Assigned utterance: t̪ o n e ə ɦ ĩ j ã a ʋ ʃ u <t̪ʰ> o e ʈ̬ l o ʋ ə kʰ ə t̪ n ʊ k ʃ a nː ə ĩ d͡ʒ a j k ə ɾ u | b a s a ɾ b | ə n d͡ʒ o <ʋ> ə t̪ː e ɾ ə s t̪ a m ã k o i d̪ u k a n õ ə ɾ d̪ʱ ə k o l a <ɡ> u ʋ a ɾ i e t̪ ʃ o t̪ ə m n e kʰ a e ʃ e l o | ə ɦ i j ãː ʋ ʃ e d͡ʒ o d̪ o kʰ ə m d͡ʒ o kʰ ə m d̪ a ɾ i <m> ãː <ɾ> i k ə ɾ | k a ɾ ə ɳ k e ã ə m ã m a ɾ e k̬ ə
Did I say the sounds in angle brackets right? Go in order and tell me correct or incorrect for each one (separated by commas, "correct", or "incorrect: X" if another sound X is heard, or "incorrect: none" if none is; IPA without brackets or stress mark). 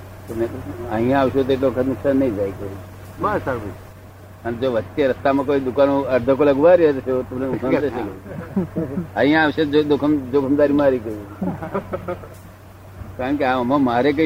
incorrect: t̪, correct, correct, correct, correct